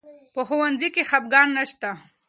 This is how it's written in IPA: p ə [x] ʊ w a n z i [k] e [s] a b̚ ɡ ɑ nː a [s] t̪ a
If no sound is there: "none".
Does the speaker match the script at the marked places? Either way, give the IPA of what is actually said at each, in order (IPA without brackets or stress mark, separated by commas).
x, k, x, ʃ